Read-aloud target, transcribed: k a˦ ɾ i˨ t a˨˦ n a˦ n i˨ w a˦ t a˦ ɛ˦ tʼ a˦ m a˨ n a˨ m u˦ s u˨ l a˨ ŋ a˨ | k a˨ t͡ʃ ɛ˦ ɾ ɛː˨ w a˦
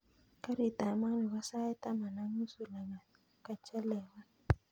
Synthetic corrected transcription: k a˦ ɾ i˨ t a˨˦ m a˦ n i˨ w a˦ s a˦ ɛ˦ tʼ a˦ m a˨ n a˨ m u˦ s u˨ l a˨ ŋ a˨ | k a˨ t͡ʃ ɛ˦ l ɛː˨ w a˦